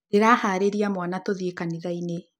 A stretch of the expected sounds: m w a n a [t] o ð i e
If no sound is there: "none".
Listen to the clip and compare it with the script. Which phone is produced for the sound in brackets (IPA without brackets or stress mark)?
t